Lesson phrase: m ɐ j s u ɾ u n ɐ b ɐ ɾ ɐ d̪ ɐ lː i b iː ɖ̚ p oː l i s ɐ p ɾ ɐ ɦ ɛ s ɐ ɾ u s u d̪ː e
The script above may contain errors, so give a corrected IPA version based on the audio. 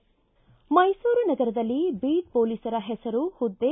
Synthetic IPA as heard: m ɐ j s uː ɾ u n ɐ ɡ ɐ ɾ ɐ d̪ ɐ lː i b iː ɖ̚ p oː l i s ɐ ɾ ɐ ɦ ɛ s ɐ ɾ u h u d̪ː e